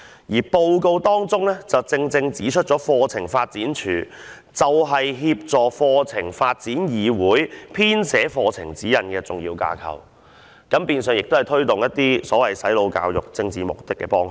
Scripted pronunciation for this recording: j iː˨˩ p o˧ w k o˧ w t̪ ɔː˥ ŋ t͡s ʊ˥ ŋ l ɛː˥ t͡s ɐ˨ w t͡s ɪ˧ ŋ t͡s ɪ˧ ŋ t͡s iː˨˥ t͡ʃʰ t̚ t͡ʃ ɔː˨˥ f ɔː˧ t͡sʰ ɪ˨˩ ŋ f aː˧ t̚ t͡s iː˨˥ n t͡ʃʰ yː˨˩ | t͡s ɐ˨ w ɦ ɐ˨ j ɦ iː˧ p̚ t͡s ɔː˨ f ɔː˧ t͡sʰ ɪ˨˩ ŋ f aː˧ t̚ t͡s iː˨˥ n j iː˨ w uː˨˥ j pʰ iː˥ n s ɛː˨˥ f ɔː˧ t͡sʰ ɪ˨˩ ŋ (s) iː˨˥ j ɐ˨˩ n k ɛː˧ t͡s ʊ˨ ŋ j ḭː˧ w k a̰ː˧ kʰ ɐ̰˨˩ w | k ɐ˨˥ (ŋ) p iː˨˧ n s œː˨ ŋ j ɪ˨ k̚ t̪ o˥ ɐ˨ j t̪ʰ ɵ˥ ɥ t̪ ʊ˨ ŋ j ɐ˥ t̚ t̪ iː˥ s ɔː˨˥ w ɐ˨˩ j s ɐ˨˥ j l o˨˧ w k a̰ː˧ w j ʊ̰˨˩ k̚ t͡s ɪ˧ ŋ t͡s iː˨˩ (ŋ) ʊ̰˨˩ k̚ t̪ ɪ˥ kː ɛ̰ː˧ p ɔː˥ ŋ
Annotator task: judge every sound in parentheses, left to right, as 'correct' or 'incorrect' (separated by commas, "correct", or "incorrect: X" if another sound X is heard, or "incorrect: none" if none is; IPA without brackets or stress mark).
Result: incorrect: t͡s, incorrect: m, incorrect: m